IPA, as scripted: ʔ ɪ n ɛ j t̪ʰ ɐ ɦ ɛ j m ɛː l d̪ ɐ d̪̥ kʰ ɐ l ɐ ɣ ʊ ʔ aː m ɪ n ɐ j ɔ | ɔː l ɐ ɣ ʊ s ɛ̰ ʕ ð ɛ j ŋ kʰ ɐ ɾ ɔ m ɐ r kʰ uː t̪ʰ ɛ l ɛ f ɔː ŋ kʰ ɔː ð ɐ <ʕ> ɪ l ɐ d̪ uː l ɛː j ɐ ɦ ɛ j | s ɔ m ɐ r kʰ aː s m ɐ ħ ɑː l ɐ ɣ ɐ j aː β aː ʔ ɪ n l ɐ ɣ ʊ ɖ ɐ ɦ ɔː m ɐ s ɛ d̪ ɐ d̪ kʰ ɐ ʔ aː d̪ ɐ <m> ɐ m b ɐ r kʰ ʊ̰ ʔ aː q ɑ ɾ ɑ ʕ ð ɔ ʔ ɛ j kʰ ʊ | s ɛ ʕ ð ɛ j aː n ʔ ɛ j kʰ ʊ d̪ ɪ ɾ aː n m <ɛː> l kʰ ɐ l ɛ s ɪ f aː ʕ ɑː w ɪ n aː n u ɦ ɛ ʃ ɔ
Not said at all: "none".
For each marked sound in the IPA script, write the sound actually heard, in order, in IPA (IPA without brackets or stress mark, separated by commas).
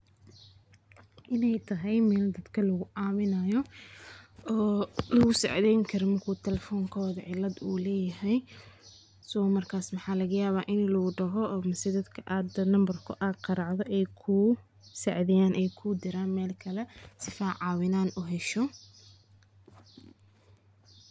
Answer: ʕ, n, ɛː